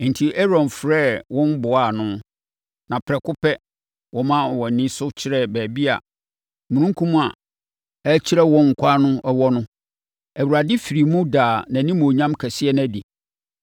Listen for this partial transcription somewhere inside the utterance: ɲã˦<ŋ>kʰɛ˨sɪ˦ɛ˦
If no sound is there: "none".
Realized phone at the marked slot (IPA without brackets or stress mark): m